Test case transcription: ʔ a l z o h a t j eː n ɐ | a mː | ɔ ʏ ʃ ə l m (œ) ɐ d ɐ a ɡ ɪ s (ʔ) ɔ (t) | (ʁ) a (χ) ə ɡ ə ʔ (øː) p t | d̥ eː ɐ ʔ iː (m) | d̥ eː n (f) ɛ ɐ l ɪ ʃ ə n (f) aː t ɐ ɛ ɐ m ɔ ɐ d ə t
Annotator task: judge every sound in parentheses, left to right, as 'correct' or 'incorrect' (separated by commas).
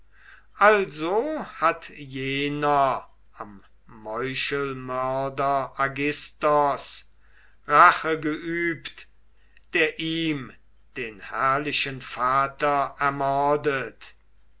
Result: correct, incorrect, incorrect, correct, correct, incorrect, correct, incorrect, correct